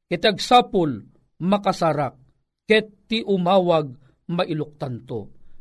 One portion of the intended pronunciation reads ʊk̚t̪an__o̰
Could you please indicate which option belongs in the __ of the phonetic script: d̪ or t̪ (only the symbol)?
t̪